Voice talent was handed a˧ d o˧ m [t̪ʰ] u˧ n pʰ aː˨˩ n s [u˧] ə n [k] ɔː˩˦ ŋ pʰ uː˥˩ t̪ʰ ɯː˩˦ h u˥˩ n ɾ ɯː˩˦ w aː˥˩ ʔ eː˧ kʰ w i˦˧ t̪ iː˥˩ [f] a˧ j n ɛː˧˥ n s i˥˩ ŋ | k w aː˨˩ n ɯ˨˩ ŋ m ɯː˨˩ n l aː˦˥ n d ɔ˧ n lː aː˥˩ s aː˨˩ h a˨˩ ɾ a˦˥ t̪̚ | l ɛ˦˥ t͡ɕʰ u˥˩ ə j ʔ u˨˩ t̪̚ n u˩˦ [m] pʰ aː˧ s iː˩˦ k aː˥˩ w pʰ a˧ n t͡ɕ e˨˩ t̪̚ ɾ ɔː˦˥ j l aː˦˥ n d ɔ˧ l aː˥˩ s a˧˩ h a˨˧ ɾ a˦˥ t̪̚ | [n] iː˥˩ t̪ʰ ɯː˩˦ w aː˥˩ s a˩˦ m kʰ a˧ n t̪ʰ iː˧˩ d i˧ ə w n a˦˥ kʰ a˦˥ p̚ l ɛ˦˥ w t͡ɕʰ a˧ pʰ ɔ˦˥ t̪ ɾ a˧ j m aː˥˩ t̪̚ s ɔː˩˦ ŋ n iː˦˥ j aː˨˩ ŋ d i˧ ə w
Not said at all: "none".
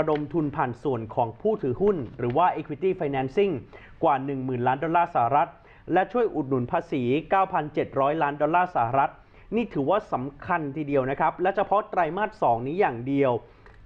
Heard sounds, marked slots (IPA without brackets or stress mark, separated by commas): t̪ʰ, u˨˩, kʰ, f, n, n